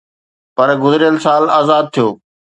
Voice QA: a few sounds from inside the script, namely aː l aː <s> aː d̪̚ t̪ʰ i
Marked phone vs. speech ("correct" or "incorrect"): incorrect